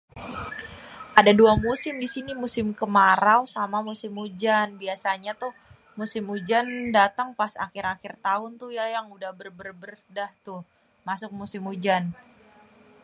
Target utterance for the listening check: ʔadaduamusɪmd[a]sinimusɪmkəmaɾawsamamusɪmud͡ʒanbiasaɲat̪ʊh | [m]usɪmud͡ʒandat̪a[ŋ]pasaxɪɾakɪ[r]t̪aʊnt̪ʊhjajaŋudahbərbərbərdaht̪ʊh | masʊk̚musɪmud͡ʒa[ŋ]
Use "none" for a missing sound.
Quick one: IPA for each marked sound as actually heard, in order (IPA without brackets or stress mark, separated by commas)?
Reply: i, m, ŋ, r, n